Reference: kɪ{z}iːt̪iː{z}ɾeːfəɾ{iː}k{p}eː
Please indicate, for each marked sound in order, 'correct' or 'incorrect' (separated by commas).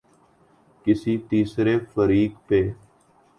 incorrect, incorrect, correct, correct